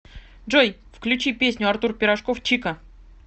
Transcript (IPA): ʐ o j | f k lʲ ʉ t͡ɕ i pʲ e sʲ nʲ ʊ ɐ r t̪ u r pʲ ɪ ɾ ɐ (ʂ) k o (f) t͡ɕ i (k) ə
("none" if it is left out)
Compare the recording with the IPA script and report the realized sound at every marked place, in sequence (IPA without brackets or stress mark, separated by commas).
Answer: ʂ, f, k